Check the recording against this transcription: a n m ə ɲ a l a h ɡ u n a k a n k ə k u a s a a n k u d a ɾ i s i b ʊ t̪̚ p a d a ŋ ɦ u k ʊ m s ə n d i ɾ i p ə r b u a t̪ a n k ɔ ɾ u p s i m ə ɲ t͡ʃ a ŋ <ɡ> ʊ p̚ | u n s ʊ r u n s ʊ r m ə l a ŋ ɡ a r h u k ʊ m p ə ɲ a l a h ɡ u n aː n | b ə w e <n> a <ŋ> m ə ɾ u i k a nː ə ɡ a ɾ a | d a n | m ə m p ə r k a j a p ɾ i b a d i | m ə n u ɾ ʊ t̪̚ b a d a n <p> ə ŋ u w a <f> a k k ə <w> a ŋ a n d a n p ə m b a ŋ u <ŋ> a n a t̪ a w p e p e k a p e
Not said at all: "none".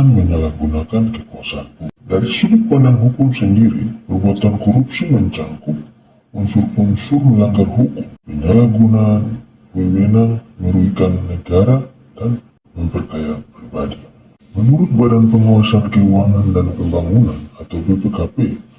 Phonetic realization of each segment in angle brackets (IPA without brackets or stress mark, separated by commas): k, n, ŋ, p, s, w, n